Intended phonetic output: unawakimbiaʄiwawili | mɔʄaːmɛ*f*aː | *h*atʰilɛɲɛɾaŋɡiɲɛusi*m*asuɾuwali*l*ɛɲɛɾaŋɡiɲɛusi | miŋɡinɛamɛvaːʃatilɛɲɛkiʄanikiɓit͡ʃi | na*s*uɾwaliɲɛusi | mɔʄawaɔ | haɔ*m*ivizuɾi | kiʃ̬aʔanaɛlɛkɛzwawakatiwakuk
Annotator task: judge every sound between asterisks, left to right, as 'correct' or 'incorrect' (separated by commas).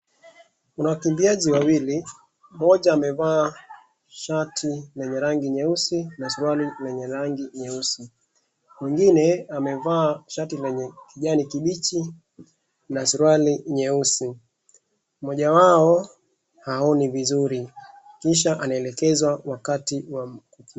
incorrect, incorrect, incorrect, correct, correct, incorrect